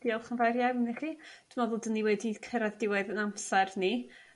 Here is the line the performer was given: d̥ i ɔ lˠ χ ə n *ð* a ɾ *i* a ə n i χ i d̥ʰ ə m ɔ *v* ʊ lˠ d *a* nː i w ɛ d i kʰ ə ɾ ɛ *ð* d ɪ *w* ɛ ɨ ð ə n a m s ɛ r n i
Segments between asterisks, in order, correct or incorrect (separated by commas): incorrect, incorrect, incorrect, incorrect, correct, correct